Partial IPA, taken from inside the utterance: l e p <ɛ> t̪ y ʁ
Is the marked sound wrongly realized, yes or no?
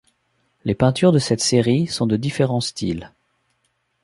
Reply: yes